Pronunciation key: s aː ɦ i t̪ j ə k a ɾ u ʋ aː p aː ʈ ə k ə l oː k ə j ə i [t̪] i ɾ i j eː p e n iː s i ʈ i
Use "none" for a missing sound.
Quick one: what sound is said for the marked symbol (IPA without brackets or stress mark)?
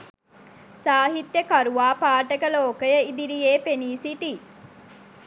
d̪